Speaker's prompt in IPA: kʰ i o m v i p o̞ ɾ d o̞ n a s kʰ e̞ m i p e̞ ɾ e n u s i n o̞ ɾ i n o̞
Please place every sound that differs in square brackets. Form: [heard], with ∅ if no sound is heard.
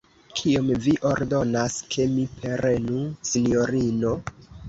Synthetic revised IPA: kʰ i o m v i [ʔ] o̞ ɾ d o̞ n a s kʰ e̞ m i p e̞ ɾ e n u s i n o̞ ɾ i n o̞